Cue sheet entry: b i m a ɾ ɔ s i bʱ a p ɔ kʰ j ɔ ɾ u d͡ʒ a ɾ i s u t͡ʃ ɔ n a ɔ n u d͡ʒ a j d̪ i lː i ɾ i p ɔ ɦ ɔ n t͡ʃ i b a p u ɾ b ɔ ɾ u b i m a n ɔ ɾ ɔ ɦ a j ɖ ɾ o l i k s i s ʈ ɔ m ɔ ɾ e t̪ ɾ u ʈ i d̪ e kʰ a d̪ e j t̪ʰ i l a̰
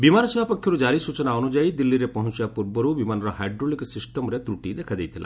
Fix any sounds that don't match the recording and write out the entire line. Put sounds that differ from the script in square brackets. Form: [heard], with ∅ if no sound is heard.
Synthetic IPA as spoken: b i m a ɾ ɔ s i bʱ a p ɔ kʰ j ɔ ɾ u d͡ʒ a ɾ i s u t͡ʃ ɔ n a ɔ n u d͡ʒ a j d̪ i lː i ɾ [e] p ɔ ɦ ɔ n t͡ʃ i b a p u ɾ b ɔ ɾ u b i m a n ɔ ɾ ɔ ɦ a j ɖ ɾ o l i k s i s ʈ ɔ m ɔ ɾ e t̪ ɾ u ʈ i d̪ e kʰ a d̪ e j t̪ʰ i l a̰